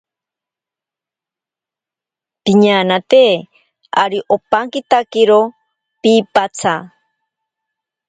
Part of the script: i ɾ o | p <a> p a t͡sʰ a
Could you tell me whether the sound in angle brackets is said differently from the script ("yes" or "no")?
yes